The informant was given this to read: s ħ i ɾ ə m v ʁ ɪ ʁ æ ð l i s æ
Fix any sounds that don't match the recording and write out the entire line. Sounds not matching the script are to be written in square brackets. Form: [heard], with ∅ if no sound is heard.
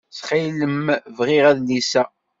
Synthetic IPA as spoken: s [χ] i [l] ə m v ʁ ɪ ʁ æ ð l i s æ